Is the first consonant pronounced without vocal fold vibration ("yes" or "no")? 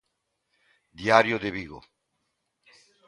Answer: no